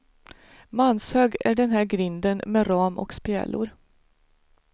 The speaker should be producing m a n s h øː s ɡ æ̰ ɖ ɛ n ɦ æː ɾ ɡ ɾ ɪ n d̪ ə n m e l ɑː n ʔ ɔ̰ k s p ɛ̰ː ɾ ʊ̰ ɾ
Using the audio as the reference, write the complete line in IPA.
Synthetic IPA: m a n s h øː ɡ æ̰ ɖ ɛ n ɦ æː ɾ ɡ ɾ ɪ n d̪ ə n m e ɾ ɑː m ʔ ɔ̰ k s p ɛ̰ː l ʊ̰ ɾ

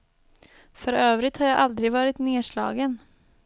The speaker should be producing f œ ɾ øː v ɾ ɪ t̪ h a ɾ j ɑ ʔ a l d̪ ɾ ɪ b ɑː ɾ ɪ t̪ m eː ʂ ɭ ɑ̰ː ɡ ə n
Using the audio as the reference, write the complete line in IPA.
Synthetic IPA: f œ ɾ øː v ɾ ɪ t̪ h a ɾ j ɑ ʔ a l d̪ ɾ ɪ v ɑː ɾ ɪ t̪ n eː ʂ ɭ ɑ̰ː ɡ ə n

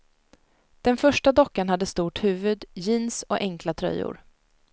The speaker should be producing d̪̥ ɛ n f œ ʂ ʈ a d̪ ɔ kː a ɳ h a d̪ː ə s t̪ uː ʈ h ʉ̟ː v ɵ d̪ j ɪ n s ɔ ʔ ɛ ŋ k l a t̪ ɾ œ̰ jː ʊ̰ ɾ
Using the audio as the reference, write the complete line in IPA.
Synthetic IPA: d̪̥ ɛ n f œ ʂ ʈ a d̪ ɔ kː a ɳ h a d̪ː ə s t̪ uː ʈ h ʉ̟ː v ɵ d̪ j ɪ n s ɔ ʔ ɛ ŋ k l a t̪ʰ ɾ œ̰ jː ʊ̰ ɾ

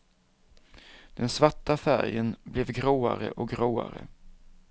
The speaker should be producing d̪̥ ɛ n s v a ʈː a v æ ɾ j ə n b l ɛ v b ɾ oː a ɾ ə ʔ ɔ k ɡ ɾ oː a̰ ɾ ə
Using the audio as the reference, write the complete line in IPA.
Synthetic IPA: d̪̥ ɛ n s v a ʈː a f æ ɾ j ə n b l ɛ v ɡ ɾ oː a ɾ ə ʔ ɔ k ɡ ɾ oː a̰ ɾ ə

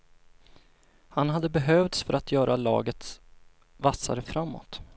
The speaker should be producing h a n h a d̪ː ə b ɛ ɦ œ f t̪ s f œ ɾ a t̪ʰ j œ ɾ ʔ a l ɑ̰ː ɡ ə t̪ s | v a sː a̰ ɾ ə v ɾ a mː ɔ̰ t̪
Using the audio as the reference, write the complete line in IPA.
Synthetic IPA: h a n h a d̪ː ə b ɛ ɦ œ v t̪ s f œ ɾ a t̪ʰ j œː ɾ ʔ a l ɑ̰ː ɡ ə t̪ s | v a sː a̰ ɾ ə f ɾ a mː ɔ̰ t̪

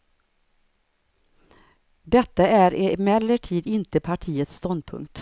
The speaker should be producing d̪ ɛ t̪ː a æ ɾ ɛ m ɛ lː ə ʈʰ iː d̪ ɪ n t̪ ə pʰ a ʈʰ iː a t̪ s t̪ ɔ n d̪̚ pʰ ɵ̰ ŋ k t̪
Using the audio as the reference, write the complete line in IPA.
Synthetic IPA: d̪ ɛ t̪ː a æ ɾ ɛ m ɛ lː ə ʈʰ iː d̪ ɪ n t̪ ə pʰ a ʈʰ iː ə t̪ s t̪ ɔ n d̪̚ pʰ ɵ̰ ŋ k t̪

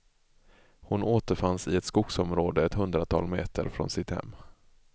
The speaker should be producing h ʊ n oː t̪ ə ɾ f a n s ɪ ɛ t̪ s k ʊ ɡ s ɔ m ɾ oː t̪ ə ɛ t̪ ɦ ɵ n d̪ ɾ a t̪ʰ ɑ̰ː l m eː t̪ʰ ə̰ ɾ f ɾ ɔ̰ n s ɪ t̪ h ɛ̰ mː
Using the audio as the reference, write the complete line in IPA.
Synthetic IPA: h ʊ n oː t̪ ə ɾ f a n s ɪ ɛ t̪ s k ʊ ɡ s ɔ m ɾ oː d̪ ə ɛ t̪ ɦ ɵ n d̪ ɾ a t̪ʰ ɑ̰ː l m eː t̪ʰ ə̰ ɾ f ɾ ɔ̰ n s ɪ t̪ h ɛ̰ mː

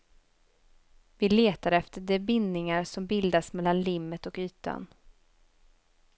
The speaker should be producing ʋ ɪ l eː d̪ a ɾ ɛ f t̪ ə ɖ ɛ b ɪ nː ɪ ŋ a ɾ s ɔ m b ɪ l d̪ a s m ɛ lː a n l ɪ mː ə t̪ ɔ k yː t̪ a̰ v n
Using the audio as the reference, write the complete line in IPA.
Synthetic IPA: v ɪ l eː t̪ a ɾ ɛ f t̪ ə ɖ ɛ b ɪ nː ɪ ŋ a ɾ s ɔ m b ɪ l d̪ a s m ɛ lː a n l ɪ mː ə t̪ ɔ k yː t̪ a̰ n

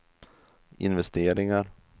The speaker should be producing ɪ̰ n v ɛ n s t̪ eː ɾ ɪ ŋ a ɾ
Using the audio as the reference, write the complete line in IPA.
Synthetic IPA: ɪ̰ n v ɛ s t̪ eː ɾ ɪ ŋ a ɾ

